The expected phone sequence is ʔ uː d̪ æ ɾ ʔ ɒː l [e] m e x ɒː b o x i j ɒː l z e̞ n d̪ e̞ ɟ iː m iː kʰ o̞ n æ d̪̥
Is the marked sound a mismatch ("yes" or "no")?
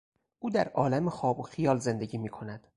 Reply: yes